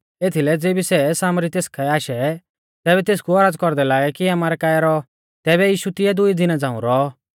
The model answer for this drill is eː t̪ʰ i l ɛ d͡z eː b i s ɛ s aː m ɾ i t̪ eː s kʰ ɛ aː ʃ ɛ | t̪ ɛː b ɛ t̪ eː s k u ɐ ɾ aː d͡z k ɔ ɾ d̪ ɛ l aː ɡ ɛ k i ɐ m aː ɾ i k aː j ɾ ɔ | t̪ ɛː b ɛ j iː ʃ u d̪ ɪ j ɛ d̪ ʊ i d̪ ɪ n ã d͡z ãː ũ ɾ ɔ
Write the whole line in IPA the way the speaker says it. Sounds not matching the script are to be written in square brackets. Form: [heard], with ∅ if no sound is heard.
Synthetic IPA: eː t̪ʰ i l ɛ d͡z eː b i s ɛ s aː m ɾ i t̪ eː s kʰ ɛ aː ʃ ɛ | t̪ ɛː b ɛ t̪ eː s k u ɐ ɾ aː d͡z k ɔ ɾ d̪ ɛ l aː ɡ ɛ k i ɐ m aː ɾ [ɛ] k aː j ɾ ɔ | t̪ ɛː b ɛ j iː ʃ u [t̪] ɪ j ɛ d̪ ʊ i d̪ ɪ n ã d͡z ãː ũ ɾ ɔ